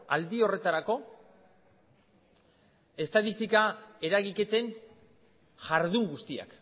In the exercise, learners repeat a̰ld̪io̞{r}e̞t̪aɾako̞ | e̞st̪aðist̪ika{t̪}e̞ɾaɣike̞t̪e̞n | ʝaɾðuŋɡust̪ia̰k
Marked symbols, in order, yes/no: yes, no

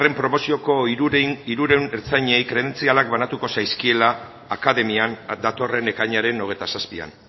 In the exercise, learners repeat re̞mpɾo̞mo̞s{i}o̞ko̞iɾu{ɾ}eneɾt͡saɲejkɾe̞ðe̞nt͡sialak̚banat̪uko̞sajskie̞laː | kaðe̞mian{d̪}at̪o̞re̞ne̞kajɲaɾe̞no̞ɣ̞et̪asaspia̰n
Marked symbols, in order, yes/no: yes, yes, yes

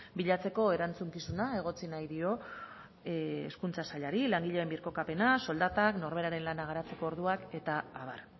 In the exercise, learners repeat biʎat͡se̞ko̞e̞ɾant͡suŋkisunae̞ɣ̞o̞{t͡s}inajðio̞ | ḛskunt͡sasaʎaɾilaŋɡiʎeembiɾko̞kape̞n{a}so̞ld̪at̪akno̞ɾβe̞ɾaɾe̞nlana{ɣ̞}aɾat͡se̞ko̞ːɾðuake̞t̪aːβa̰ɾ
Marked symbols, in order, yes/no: yes, yes, yes

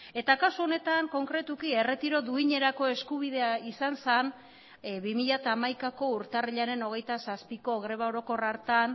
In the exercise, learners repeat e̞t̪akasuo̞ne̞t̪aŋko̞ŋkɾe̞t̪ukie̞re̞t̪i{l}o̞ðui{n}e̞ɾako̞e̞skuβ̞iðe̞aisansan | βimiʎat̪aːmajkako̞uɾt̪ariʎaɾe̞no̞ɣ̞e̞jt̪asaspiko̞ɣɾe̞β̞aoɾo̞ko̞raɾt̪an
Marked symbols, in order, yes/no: no, no

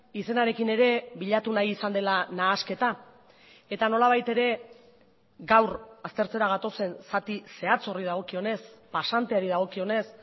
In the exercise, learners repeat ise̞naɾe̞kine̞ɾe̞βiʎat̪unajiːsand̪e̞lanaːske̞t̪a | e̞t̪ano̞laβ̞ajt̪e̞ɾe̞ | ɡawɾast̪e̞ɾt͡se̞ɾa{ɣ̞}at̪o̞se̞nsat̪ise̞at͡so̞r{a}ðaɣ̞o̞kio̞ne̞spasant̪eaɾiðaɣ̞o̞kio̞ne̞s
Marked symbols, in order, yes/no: yes, no

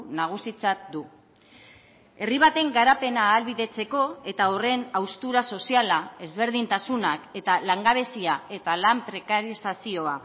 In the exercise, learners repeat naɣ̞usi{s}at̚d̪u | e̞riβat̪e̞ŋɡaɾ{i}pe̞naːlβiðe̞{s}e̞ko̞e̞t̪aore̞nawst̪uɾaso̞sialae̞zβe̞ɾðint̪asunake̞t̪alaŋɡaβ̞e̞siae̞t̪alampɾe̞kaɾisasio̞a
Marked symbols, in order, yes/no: no, no, no

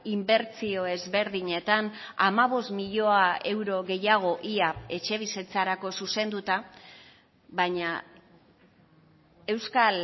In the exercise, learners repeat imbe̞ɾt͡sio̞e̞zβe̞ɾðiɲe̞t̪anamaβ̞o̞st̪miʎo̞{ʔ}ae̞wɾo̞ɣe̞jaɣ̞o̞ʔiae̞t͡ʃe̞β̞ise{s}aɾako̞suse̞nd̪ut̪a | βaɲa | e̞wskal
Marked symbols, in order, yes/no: no, no

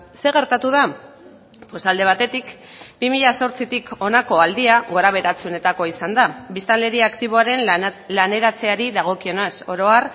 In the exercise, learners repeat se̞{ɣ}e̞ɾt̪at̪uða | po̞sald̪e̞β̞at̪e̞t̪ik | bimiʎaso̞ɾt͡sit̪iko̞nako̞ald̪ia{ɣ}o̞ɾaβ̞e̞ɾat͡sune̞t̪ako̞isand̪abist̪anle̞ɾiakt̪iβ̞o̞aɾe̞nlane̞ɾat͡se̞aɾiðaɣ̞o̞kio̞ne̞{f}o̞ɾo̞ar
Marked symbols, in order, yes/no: yes, yes, no

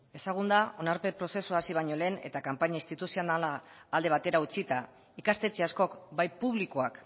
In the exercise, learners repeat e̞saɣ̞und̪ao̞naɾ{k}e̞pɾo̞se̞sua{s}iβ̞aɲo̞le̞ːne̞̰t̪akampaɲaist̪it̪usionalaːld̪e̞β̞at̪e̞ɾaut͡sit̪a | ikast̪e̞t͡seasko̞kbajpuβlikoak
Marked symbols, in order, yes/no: no, yes

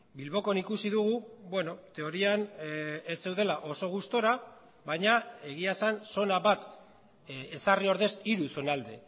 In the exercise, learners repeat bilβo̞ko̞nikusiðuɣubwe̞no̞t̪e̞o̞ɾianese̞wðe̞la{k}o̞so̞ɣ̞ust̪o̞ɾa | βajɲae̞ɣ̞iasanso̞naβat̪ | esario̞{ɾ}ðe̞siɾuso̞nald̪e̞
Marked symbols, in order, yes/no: no, yes

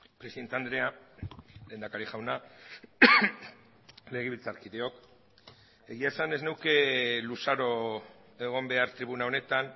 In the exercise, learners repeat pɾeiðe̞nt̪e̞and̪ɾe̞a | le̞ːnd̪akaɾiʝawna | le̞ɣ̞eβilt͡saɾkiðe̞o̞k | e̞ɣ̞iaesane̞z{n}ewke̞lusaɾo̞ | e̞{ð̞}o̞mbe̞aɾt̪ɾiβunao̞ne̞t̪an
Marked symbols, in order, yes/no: yes, no

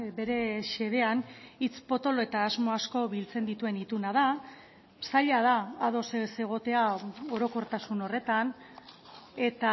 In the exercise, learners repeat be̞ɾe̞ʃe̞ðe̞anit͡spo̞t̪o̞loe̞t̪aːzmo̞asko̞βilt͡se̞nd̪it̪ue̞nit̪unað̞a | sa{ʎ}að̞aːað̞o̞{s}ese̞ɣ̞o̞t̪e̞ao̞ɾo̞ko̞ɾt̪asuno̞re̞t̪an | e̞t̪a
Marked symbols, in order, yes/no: yes, yes

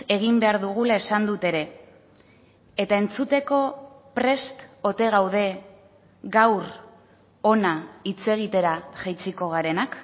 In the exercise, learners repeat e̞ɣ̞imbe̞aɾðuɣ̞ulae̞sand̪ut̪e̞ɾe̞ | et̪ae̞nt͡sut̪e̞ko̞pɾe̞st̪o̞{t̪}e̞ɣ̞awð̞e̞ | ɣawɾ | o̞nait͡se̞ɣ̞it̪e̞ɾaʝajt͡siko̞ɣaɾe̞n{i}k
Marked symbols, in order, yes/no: yes, no

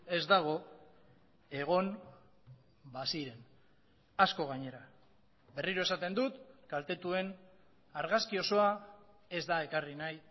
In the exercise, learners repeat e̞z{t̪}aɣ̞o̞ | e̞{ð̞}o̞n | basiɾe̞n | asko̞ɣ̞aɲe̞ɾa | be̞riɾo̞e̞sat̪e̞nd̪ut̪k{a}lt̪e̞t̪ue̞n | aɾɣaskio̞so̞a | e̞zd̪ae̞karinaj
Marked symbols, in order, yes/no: no, no, yes

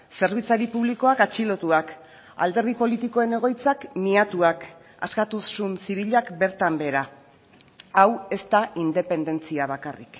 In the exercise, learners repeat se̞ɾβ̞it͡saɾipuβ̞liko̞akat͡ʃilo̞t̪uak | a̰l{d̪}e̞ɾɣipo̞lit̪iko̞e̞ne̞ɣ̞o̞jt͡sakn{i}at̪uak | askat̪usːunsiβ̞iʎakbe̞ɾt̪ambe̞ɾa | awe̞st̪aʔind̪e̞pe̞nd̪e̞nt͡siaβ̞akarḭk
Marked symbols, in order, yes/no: yes, yes

